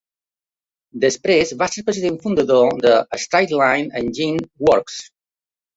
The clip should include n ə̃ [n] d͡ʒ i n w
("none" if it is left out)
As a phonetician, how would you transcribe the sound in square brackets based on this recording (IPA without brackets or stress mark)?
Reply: n